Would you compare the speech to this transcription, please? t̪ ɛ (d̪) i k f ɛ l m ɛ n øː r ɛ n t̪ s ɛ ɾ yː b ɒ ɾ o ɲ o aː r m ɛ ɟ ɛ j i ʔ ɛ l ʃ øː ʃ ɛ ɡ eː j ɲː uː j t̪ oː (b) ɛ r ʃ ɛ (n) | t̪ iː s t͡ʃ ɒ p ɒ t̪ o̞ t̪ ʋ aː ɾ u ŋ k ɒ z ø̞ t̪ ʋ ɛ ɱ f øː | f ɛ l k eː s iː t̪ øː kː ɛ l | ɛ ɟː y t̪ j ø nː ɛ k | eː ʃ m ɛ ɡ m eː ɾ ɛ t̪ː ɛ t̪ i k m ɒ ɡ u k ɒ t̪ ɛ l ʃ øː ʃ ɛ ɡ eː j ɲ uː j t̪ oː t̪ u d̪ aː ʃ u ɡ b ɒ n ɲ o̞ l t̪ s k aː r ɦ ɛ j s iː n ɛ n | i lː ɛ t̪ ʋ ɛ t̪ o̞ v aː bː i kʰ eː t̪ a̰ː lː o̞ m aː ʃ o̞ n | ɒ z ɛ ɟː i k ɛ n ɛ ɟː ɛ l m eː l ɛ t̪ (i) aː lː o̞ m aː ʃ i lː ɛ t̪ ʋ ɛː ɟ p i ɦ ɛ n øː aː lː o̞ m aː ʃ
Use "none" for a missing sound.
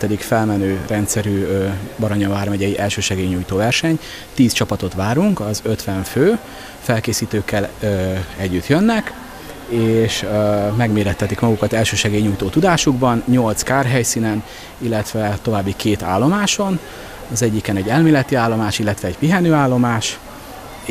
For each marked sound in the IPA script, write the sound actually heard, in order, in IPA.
d̪, v, ɲ, i

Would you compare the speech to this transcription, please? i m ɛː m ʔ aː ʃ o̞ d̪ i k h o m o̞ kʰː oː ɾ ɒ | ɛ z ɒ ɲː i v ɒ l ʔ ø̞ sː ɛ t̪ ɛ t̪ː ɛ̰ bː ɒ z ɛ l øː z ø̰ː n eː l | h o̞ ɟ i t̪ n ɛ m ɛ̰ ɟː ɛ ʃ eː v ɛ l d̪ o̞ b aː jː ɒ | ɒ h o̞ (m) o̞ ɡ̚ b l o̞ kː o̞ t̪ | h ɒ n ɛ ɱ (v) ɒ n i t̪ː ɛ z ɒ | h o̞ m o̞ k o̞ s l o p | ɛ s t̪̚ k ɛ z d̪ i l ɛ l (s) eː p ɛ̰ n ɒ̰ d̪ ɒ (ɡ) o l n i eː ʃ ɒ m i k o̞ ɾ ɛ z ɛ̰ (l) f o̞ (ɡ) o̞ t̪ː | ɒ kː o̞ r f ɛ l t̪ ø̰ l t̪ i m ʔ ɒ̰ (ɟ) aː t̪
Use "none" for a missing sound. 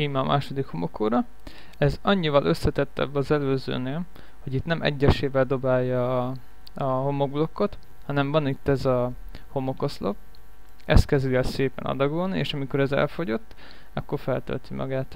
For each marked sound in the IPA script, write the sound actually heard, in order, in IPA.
m, v, s, ɡ, l, ɟ, ɡ

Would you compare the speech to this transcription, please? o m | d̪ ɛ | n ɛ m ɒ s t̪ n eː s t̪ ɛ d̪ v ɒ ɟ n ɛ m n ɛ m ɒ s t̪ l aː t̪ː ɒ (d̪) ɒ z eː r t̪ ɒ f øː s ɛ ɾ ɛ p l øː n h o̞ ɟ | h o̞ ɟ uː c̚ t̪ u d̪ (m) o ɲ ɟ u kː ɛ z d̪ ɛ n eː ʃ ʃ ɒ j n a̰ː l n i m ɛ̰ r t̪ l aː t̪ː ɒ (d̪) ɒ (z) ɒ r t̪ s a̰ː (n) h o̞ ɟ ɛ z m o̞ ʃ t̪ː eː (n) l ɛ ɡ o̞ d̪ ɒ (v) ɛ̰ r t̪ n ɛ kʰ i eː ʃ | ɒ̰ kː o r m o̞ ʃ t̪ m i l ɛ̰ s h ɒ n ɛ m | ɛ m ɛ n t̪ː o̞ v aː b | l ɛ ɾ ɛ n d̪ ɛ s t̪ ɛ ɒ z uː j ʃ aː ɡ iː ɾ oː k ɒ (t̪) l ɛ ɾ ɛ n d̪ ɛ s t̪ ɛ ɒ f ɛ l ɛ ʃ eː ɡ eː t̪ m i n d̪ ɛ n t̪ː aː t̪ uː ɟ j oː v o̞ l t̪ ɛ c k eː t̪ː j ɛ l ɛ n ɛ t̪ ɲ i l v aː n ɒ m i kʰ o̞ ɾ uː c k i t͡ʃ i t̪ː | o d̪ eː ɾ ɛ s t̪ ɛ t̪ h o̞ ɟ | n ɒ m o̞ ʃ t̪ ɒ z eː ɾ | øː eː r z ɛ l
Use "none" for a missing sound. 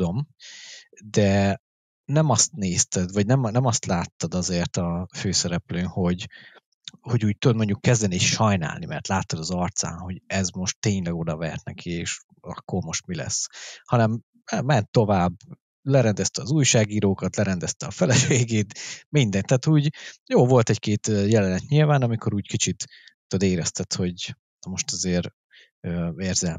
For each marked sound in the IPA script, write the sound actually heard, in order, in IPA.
d̪, m, d̪, z, n, ɲ, v, t̪

